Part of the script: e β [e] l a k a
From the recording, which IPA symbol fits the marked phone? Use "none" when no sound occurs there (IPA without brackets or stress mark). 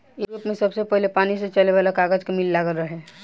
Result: a